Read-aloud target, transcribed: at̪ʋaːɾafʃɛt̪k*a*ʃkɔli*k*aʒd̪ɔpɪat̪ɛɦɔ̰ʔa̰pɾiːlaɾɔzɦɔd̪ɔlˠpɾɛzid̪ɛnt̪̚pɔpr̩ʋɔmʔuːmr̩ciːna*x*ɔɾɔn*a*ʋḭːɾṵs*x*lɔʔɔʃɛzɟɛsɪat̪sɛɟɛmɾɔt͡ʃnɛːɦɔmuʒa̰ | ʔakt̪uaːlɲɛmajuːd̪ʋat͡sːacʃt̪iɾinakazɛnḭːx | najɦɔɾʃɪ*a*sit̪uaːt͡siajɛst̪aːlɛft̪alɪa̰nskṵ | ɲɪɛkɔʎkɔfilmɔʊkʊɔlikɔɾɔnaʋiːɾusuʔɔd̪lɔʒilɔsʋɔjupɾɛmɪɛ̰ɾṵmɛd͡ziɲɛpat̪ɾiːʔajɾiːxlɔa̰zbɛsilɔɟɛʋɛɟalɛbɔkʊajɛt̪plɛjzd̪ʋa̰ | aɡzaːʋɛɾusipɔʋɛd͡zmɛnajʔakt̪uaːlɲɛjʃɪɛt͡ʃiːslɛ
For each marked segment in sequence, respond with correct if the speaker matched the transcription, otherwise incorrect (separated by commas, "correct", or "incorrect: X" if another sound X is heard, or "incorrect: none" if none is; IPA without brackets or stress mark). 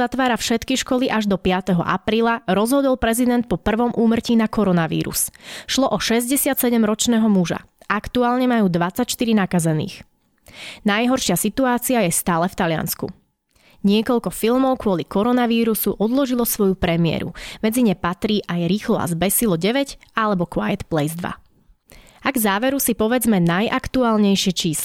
incorrect: i, incorrect: ʔ, incorrect: k, correct, incorrect: ʃ, correct